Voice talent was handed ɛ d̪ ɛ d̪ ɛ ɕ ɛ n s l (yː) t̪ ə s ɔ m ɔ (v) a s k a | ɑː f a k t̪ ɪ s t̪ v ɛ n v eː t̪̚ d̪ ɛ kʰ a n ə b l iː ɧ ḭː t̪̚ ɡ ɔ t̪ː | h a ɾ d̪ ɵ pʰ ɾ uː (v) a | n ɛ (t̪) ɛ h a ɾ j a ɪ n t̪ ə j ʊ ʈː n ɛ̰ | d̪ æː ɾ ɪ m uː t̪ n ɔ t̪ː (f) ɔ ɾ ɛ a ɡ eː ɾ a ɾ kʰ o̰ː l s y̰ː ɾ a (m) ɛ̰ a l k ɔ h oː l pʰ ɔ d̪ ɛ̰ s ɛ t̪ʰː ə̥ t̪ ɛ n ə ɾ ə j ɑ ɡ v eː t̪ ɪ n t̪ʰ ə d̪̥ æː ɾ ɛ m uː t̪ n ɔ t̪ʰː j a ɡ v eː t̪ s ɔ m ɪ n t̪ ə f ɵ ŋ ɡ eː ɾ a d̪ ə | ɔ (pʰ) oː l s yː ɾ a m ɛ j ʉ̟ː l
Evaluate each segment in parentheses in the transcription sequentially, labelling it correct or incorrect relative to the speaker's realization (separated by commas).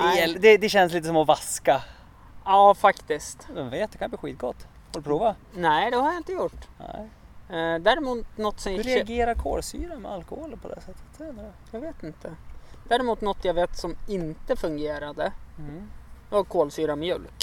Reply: incorrect, correct, correct, incorrect, incorrect, correct, incorrect